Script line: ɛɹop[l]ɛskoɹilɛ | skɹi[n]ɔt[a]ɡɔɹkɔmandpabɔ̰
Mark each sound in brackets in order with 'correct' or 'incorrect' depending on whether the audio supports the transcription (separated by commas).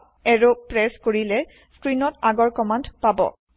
incorrect, correct, correct